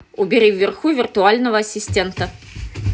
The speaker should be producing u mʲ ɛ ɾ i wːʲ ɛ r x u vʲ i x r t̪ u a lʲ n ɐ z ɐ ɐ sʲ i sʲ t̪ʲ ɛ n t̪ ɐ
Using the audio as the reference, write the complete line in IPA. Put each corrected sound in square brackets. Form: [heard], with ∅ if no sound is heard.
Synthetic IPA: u [bʲ] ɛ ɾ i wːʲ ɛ r x u vʲ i [∅] r t̪ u a lʲ n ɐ [v] ɐ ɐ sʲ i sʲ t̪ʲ ɛ n t̪ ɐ